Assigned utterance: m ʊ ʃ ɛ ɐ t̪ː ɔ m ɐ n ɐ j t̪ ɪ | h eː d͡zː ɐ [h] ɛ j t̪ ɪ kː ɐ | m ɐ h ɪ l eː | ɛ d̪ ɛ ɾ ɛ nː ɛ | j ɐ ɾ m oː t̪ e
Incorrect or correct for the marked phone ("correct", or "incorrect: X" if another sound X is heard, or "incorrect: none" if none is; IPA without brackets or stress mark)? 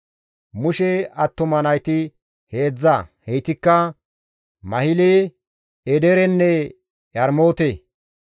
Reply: correct